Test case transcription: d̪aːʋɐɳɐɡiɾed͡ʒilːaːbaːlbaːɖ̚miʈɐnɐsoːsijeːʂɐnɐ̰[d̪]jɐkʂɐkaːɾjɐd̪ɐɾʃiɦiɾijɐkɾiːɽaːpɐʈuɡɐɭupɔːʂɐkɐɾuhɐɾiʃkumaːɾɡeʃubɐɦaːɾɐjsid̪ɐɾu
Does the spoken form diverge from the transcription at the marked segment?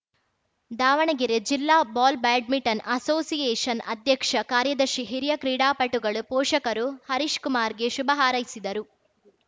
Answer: no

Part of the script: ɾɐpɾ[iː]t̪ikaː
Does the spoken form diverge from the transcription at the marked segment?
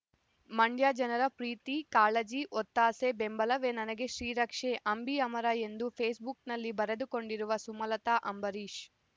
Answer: no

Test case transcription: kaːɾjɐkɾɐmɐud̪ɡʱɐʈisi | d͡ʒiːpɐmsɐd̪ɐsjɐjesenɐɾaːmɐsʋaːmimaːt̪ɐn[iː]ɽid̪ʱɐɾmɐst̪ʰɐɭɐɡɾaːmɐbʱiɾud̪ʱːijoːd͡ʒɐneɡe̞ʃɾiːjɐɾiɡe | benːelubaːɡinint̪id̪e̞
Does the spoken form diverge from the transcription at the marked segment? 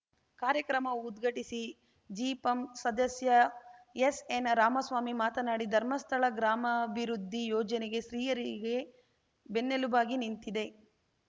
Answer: yes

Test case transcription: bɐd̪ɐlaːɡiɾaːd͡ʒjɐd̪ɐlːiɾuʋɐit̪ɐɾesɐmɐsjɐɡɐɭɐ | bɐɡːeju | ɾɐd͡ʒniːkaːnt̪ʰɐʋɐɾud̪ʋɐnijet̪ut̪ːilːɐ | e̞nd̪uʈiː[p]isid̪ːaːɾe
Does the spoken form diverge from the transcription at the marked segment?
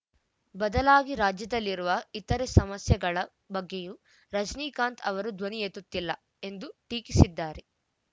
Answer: yes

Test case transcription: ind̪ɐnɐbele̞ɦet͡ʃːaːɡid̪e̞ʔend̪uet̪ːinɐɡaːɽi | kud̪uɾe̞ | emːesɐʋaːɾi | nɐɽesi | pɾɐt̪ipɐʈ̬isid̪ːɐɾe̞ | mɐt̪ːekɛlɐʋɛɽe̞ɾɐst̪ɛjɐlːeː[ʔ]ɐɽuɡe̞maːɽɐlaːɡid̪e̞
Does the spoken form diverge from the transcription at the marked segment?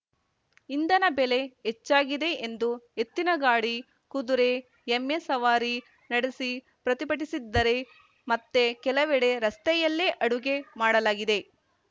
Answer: no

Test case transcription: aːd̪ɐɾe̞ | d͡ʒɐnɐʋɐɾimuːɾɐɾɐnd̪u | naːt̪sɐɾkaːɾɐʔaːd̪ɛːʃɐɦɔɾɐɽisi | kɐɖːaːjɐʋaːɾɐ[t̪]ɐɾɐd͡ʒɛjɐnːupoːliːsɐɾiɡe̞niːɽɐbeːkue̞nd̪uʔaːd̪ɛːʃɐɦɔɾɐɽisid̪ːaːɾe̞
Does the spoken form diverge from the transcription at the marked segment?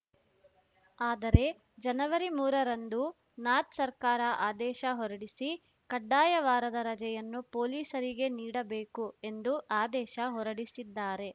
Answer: yes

